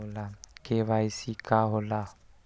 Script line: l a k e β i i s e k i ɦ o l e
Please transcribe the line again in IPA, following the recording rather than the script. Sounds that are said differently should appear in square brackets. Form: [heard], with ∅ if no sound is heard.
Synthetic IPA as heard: l a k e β [a] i s [i] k [a] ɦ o l [a]